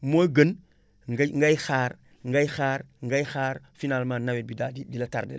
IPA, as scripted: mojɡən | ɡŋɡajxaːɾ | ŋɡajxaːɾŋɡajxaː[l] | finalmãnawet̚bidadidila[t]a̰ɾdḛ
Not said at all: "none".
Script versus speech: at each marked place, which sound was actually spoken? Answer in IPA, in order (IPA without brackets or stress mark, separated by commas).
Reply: ɾ, t